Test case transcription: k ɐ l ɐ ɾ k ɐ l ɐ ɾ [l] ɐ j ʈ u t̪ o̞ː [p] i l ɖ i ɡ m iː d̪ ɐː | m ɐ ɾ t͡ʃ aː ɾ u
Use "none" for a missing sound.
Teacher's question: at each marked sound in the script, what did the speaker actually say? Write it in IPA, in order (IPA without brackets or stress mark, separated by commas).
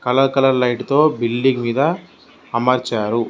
l, b